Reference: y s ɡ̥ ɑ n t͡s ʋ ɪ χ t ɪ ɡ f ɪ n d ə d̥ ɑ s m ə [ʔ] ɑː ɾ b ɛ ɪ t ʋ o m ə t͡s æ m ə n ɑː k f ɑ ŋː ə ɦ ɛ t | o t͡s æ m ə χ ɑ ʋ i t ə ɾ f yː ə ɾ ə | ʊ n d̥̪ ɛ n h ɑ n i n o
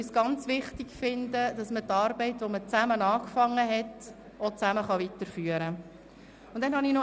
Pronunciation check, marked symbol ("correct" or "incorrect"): incorrect